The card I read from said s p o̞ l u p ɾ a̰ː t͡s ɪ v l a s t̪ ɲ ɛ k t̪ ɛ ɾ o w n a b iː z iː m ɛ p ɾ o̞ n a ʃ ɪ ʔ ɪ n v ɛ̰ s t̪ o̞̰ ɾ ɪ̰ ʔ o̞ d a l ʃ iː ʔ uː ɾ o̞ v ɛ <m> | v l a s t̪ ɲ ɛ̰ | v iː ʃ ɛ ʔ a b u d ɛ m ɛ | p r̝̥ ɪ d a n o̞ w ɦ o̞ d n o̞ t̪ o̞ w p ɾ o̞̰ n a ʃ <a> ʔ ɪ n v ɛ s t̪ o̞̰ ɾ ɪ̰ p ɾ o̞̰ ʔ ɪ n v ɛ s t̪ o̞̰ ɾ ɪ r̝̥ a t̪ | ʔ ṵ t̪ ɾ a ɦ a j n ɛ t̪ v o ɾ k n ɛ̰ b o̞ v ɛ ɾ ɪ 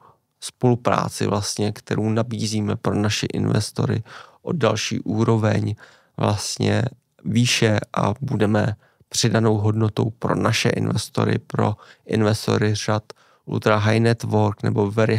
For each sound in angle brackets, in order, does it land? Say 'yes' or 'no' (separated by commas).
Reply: no, no